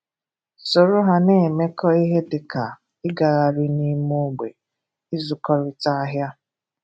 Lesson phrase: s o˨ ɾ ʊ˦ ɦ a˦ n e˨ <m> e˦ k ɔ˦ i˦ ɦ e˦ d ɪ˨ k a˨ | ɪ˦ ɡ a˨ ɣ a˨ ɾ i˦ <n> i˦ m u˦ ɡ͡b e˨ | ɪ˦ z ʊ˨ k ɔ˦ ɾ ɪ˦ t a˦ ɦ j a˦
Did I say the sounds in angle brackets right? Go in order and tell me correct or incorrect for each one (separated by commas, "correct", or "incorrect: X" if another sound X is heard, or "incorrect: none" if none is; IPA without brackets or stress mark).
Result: correct, correct